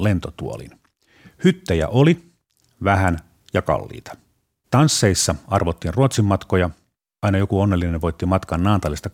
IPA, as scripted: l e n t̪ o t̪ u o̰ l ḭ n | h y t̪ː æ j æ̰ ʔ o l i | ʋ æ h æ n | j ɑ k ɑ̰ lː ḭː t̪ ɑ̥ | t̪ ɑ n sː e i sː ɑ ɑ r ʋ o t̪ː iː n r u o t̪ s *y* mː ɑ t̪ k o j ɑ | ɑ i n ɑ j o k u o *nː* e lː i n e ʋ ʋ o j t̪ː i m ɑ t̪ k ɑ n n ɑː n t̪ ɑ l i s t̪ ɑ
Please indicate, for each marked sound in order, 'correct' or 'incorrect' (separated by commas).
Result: incorrect, correct